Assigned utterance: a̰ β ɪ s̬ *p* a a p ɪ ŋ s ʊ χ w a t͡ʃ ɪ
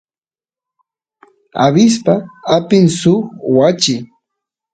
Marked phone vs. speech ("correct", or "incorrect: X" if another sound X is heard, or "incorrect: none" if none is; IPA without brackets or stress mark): correct